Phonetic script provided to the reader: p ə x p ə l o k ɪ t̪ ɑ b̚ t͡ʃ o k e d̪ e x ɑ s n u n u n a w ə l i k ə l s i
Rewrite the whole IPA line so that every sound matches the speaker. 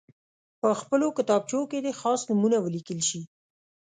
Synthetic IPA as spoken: p ə x p ə l o k ɪ t̪ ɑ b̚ t͡ʃ o k e d̪ e x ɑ s n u m u n a w ə l i k ə l ʃ i

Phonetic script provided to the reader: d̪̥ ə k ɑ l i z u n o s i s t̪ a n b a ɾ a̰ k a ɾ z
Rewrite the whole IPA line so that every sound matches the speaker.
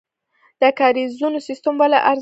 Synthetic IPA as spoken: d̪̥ ə k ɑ ɾ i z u n o s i s t̪ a m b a l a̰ ʔ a ɾ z

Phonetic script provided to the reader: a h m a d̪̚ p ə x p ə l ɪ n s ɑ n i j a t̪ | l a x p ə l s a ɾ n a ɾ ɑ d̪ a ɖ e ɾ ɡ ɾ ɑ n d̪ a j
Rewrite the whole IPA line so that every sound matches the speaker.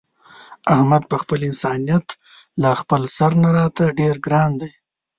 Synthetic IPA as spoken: a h m a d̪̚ p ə x p ə l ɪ n s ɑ n i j a t̪ | l a x p ə l s a ɾ n a ɾ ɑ t̪ a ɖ e ɾ ɡ ɾ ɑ n d̪ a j

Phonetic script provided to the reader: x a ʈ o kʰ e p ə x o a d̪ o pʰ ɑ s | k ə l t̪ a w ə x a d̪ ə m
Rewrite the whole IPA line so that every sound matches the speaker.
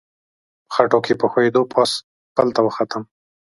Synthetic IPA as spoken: x a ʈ o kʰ e p ə x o e d̪ o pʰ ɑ s | p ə l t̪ a w ə x a t̪ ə m

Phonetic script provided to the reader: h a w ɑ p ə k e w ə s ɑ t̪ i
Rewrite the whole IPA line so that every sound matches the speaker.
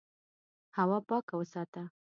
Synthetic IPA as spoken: h a w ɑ p ɑ k a w ə s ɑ t̪ a

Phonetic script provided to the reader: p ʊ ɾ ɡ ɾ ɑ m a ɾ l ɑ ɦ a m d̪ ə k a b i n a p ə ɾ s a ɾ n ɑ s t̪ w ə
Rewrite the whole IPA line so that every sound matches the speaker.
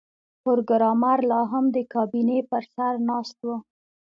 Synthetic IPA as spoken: p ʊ ɾ ɡ ɾ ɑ m a ɾ l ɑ ɦ a m d̪ ə k ɑ b i n e p ə ɾ s a ɾ n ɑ s t̪ w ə

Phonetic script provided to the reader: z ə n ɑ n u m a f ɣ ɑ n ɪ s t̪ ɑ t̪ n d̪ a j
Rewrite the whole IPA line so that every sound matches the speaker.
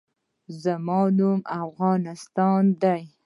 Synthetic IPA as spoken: z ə m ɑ n u m a f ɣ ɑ n ɪ s t̪ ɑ n d̪ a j

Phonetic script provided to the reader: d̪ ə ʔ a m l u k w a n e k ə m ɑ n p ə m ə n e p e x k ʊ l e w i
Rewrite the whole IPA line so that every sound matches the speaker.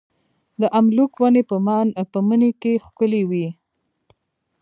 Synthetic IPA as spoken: d̪ ə ʔ a m l u k w a n e p ə m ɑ n p ə m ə n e k e x k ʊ l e w i

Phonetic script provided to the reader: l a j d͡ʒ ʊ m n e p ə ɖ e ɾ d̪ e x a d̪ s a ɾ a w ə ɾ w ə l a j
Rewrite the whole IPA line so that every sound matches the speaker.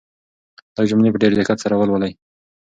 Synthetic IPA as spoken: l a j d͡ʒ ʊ m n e p ə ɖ e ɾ d̪ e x a t̪ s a ɾ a w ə l w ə l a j

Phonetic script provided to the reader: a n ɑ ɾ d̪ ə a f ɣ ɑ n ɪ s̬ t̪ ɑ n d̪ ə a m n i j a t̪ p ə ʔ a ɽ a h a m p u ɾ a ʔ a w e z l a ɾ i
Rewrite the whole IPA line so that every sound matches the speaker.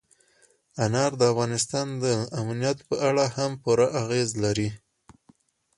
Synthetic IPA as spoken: a n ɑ ɾ d̪ ə a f ɣ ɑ n ɪ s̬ t̪ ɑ n d̪ ə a m n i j a t̪ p ə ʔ a ɽ a h a m p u ɾ a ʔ a ɣ e z l a ɾ i

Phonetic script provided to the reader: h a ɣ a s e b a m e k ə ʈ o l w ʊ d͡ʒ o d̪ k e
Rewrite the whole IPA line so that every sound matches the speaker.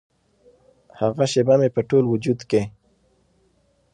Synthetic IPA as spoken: h a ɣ a ʃ e b a m e p ə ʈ o l w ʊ d͡ʒ u d̪ k e

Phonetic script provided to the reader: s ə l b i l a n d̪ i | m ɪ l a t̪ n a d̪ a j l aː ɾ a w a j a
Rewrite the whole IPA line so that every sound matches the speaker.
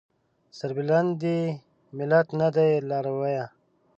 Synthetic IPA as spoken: s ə ɾ b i l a n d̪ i | m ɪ l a t̪ n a d̪ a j l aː ɾ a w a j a

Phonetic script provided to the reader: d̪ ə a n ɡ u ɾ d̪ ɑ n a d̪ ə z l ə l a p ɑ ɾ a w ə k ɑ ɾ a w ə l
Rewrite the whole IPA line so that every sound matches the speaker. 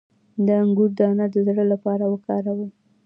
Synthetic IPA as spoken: d̪ ə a ŋ ɡ u ɾ d̪ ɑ n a d̪ ə z ɽ ə l a p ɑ ɾ a w ə k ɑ ɾ a w ə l

